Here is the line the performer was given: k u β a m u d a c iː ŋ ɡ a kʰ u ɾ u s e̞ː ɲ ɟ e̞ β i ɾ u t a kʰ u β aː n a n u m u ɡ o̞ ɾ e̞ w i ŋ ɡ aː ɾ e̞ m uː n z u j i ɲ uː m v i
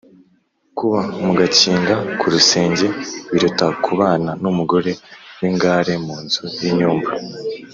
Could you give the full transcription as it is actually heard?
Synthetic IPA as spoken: k u β a m u ɡ a c iː ŋ ɡ a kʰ u ɾ u s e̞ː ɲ ɟ e̞ β i ɾ u t a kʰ u β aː n a n u m u ɡ o̞ ɾ e̞ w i ŋ ɡ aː ɾ e̞ m uː n z u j i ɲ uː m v a